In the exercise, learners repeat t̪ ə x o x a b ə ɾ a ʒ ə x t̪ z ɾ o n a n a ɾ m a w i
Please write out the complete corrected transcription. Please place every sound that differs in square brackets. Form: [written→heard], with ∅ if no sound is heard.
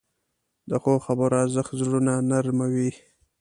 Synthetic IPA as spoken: [t̪→d̪] ə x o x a b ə ɾ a [ʒ→z] ə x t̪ z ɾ [o→u] n a n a ɾ m a w i